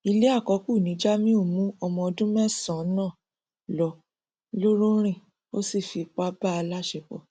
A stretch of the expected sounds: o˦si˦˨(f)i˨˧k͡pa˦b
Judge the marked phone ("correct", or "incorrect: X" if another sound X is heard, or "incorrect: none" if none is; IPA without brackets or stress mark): correct